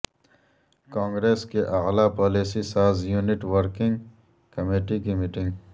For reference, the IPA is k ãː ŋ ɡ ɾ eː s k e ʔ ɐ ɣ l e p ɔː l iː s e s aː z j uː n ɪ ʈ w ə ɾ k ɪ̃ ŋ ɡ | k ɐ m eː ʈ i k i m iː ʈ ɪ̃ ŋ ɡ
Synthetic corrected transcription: k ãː ŋ ɡ ɾ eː s k e ʔ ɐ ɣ l a p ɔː l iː s i s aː z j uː n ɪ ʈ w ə ɾ k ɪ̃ ŋ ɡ | k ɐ m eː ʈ i k i m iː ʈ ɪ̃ ŋ ɡ